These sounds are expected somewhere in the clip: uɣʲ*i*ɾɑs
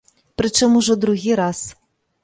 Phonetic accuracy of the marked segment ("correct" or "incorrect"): correct